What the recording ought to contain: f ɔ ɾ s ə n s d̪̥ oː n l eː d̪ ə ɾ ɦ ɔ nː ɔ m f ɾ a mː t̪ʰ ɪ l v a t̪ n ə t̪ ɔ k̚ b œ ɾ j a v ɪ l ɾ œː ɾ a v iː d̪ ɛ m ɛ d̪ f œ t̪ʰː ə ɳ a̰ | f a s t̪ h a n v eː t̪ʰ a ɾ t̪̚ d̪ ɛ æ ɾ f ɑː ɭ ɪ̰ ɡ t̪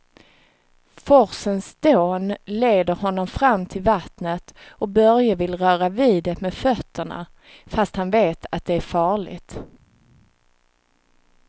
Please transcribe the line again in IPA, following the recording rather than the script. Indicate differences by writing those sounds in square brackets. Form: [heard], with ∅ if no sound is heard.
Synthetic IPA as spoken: f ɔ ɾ s ə n s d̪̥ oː n l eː d̪ ə ɾ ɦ ɔ nː ɔ m f ɾ a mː t̪ʰ ɪ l v a t̪ n ə t̪ ɔ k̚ b œ ɾ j a v ɪ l ɾ œː ɾ a v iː d̪ ɛ m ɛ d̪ f œ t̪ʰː ə ɳ a̰ | f a s t̪ h a n v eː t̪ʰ a [∅] t̪̚ d̪ ɛ æ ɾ f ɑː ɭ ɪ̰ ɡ t̪